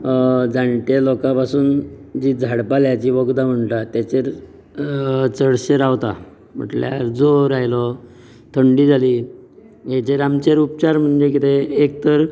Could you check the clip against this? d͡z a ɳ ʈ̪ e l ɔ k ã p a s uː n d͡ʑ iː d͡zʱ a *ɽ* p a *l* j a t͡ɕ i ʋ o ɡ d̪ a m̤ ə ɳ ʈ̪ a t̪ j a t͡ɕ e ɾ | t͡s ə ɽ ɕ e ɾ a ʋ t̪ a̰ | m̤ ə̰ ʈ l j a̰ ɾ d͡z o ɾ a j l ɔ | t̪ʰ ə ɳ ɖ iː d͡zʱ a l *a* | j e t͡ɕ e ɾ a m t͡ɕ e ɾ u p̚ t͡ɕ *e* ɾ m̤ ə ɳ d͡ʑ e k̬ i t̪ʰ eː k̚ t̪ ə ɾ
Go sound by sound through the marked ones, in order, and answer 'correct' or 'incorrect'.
correct, correct, incorrect: i, incorrect: a

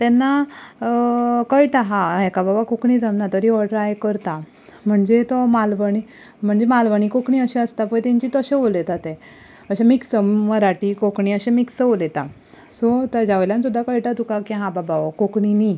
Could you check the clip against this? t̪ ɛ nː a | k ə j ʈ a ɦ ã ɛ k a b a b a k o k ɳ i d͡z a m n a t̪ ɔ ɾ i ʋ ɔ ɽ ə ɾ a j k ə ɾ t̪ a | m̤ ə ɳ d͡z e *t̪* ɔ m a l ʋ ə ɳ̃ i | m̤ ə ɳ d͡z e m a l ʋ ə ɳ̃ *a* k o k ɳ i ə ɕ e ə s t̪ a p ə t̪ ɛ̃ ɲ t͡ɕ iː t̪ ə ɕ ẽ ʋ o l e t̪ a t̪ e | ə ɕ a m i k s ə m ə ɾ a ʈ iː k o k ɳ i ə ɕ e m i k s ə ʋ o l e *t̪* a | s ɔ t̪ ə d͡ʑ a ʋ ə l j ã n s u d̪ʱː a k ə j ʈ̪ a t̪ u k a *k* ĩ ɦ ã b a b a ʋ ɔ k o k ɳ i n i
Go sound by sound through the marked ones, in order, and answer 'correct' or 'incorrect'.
correct, incorrect: i, correct, correct

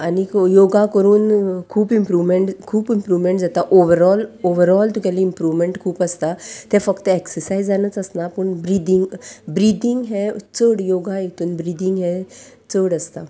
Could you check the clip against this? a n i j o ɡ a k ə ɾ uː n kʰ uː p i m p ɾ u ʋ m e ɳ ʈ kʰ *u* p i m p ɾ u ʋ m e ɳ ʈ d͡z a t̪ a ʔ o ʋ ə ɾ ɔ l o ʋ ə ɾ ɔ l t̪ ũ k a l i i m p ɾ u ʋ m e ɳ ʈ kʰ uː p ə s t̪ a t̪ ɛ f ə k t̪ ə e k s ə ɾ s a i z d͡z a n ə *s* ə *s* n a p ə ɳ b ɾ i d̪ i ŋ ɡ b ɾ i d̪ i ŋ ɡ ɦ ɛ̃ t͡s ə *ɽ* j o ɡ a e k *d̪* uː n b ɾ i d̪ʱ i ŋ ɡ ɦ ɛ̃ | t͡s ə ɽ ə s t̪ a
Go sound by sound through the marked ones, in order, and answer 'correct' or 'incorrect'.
incorrect: uː, incorrect: t͡s, correct, correct, incorrect: t̪

